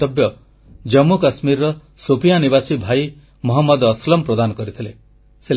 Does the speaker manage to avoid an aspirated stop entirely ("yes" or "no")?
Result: no